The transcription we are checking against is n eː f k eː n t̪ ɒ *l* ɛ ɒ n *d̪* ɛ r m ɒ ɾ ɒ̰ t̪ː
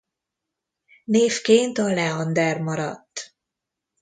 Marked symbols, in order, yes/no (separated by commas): yes, yes